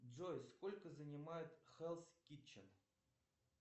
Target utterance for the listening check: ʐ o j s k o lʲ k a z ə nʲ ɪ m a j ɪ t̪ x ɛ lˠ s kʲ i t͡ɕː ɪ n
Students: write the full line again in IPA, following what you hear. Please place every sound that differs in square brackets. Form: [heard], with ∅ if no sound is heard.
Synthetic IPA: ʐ o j s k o lʲ k [ə] z ə nʲ ɪ m a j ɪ t̪ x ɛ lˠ s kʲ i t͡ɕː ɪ n